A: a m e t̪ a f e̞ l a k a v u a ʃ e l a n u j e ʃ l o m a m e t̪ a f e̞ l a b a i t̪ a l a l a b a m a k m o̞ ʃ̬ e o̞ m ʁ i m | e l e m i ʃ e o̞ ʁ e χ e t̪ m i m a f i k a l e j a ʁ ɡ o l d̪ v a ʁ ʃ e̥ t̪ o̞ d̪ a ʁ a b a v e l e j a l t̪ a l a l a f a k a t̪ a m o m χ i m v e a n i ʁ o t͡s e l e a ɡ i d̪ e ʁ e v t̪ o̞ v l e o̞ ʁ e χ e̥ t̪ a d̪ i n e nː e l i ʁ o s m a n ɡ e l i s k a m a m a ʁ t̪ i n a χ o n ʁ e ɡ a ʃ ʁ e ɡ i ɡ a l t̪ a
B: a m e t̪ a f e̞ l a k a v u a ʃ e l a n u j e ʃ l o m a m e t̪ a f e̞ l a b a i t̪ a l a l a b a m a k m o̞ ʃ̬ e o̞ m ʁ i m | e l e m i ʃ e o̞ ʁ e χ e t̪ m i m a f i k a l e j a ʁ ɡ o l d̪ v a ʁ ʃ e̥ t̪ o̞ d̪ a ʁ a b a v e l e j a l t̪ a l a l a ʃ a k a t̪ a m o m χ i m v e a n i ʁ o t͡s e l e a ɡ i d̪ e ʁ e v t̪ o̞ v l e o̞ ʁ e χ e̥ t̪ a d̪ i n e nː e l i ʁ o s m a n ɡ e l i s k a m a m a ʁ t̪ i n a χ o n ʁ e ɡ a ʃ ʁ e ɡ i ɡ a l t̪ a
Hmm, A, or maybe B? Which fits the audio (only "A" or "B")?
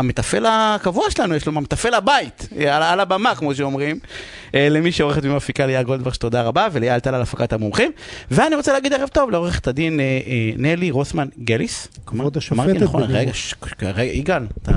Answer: A